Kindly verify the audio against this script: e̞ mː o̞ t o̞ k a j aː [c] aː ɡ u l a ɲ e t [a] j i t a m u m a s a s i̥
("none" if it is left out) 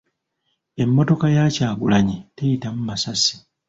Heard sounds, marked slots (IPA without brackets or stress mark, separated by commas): c, e